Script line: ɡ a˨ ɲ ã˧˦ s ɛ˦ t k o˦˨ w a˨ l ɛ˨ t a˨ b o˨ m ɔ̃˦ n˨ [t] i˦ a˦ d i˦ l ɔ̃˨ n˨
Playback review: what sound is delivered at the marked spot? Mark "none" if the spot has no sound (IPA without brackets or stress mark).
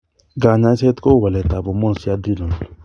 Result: s